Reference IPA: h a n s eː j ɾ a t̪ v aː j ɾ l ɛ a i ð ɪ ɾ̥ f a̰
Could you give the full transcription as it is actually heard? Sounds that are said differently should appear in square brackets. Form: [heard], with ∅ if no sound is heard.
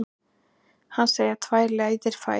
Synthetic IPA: h a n s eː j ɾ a [t̪ʰ] v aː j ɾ l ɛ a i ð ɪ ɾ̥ f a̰